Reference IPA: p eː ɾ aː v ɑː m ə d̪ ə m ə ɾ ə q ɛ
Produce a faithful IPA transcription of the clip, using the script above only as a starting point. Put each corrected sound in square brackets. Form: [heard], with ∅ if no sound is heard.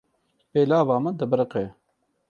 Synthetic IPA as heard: p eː [l] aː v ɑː m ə d̪ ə [b] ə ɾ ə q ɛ